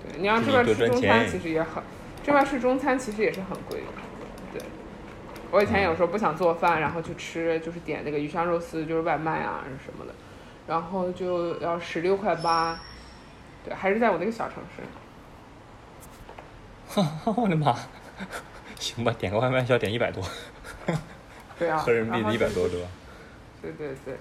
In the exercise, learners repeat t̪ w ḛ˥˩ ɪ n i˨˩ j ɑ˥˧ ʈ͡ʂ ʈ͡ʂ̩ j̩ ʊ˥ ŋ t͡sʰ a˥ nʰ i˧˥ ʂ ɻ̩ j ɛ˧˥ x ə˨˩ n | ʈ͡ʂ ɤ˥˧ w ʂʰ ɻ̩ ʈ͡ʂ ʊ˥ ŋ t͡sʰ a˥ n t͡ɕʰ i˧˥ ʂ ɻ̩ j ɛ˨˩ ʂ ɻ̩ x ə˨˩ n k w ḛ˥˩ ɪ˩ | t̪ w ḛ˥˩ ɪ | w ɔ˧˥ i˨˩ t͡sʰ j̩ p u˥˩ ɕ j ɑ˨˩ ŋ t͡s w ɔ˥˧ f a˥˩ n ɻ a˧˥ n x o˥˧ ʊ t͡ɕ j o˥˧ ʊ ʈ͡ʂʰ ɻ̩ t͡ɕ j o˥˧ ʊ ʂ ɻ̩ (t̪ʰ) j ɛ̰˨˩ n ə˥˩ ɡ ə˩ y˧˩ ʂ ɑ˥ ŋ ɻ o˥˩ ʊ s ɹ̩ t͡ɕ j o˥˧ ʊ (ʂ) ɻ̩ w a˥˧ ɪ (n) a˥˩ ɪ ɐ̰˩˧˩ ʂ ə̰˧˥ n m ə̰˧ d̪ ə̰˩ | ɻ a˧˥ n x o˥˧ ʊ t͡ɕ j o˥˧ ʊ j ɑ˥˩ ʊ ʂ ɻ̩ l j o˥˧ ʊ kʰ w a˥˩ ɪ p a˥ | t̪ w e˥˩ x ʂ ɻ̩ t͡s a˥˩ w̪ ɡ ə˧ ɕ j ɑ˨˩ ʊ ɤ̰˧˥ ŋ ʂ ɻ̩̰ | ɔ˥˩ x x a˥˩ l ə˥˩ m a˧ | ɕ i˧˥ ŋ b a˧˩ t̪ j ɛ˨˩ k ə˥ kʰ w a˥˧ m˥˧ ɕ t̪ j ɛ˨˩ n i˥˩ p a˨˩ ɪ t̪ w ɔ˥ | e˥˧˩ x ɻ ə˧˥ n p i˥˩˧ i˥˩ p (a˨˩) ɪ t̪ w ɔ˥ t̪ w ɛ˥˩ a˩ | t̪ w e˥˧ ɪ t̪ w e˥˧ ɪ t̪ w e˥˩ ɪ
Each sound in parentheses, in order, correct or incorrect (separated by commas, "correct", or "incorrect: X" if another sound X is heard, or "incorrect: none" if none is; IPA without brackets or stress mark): incorrect: t̪, correct, incorrect: m, correct